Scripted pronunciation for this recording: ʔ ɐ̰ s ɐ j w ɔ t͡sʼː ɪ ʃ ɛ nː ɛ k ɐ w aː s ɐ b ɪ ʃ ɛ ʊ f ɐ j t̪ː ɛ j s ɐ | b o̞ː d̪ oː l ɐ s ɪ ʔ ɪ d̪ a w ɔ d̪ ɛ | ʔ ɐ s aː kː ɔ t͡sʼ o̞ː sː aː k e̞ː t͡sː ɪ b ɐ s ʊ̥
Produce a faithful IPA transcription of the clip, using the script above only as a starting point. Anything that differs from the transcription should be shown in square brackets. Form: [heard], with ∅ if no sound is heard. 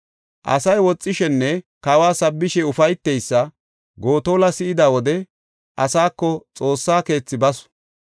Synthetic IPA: ʔ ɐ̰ s ɐ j w ɔ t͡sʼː ɪ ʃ ɛ nː ɛ k ɐ w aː s ɐ [bː] ɪ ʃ ɛ ʊ f ɐ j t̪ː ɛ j [sː] ɐ | [ɡ] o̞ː [t̪] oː l ɐ s ɪ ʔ ɪ d̪ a w ɔ d̪ ɛ | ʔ ɐ s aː kː ɔ t͡sʼ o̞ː sː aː k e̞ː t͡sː ɪ b ɐ s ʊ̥